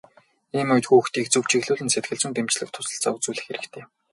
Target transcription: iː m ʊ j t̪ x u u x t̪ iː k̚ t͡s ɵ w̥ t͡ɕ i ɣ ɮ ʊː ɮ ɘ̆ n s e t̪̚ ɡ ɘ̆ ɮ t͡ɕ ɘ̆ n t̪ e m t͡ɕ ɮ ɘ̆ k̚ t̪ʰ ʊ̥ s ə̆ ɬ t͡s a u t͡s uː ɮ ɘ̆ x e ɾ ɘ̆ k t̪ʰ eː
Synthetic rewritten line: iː m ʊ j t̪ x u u x t̪ iː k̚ t͡s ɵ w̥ t͡ɕ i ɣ ɮ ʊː ɮ ɘ̆ n s e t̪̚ ɡ ɘ̆ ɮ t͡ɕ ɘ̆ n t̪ e m t͡ɕ ɮ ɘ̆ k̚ t̪ʰ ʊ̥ s ə̆ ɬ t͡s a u t͡s uː ɮ ɘ̆ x e ɾ ɘ̆ k t̪ʰ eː

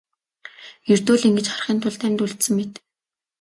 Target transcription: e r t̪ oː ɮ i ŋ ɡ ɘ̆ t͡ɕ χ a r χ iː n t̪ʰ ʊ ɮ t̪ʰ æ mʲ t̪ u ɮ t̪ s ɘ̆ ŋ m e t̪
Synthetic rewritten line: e r t̪ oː ɮ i ŋ ɡ ɘ̆ t͡ɕ χ a r χ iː n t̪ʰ ʊ ɮ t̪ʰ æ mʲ t̪ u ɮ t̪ s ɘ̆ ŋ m e t̪

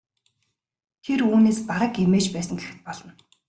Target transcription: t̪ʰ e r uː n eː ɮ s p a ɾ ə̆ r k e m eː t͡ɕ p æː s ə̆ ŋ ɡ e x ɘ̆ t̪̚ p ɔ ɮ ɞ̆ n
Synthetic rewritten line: t̪ʰ e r uː n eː s p a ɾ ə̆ k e m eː t͡ɕ p æː s ə̆ ŋ ɡ e x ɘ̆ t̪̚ p ɔ ɮ ɞ̆ n

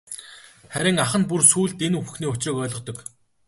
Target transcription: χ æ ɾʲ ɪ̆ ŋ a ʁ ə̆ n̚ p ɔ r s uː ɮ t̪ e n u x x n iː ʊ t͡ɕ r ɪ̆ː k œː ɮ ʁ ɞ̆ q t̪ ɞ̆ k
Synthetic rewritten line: χ æ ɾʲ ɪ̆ ŋ a χ ə̆ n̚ p u r s uː ɮ t̪ e n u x x n iː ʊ t͡ɕ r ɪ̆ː k œː ɮ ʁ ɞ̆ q t̪ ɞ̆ k

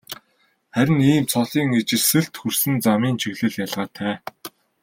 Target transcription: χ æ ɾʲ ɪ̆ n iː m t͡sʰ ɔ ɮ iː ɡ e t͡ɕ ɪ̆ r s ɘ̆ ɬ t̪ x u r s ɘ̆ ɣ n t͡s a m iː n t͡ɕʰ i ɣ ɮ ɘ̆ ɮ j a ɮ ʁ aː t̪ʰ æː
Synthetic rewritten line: χ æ ɾʲ ɪ̆ n iː m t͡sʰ ɔ ɮ iː ŋ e t͡ɕ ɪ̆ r s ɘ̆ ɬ t̪ x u r s ɘ̆ n t͡s a m iː n t͡ɕʰ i ɣ ɮ ɘ̆ ɮ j a ɮ ʁ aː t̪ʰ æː

